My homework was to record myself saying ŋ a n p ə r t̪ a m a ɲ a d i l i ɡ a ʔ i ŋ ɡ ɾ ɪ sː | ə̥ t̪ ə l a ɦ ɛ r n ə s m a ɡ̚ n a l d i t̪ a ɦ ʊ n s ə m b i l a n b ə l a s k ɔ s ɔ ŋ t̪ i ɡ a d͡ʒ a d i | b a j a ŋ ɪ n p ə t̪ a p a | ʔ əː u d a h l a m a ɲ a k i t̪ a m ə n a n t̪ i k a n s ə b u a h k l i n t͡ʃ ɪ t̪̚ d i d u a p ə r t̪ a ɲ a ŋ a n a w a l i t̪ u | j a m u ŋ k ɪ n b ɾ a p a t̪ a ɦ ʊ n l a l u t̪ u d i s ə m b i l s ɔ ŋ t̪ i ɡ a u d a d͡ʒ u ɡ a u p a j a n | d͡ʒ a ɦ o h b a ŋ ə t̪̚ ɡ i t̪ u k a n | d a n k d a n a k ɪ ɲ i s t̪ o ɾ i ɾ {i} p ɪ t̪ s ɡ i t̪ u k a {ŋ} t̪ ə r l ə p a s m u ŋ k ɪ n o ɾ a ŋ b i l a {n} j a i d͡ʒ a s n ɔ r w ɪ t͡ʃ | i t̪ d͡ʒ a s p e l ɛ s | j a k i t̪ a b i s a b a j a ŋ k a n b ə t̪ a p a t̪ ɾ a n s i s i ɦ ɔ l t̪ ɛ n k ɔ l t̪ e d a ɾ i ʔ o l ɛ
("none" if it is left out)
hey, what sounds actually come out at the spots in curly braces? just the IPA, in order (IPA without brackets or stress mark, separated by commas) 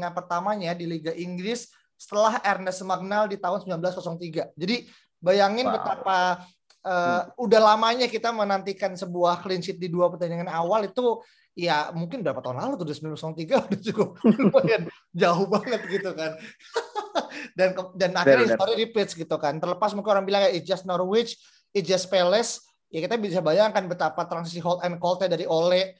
i, n, ŋ